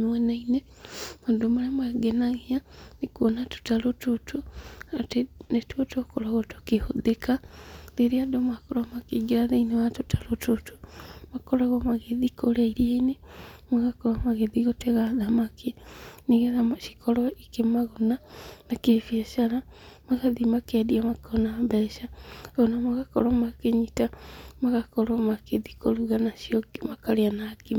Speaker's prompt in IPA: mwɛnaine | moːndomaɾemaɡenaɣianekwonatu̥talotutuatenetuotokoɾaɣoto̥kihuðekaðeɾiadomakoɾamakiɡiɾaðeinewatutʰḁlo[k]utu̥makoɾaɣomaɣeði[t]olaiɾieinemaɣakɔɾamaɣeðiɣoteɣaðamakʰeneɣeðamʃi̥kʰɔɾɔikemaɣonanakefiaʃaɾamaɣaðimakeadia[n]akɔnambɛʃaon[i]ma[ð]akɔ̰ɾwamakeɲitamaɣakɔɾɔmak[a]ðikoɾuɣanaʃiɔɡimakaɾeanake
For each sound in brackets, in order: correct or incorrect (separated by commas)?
incorrect, incorrect, incorrect, incorrect, incorrect, incorrect